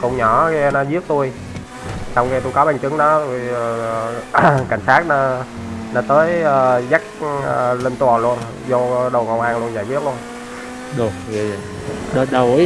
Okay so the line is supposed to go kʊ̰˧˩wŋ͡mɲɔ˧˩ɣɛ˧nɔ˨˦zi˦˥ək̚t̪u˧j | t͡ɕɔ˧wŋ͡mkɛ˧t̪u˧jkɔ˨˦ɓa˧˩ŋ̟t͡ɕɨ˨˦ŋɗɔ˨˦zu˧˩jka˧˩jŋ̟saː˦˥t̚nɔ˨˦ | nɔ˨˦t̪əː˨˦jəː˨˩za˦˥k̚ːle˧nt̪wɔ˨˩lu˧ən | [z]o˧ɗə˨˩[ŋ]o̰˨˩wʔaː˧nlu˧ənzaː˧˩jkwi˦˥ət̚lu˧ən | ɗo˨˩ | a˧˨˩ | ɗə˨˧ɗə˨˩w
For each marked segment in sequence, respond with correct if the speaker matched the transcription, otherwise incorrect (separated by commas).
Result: correct, correct